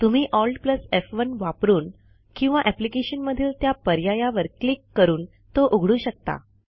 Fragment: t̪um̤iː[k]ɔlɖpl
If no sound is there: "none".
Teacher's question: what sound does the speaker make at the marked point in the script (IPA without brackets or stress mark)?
ʔ